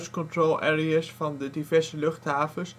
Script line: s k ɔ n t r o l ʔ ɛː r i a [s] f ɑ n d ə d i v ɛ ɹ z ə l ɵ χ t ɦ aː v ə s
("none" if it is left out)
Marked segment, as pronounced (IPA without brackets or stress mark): s